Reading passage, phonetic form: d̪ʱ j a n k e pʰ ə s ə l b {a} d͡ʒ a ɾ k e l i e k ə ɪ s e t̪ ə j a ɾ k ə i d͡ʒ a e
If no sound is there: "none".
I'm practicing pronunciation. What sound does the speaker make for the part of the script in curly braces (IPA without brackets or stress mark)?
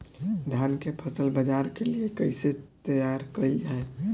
ə